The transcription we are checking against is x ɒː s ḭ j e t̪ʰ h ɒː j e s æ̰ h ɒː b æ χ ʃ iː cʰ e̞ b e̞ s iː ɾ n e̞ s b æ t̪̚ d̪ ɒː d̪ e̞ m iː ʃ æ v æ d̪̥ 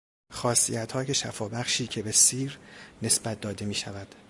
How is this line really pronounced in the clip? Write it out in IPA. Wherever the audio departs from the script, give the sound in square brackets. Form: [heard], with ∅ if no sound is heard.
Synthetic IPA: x ɒː s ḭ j [æ] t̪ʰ h ɒː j e [ʃ] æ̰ [f] ɒː b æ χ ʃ iː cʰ e̞ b e̞ s iː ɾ n e̞ s b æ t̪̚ d̪ ɒː d̪ e̞ m iː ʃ æ v æ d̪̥